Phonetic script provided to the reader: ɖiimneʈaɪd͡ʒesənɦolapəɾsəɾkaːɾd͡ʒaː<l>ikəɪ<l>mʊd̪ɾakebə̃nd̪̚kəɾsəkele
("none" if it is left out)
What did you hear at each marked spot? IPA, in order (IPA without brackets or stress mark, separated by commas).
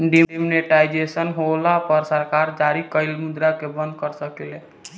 ɾ, l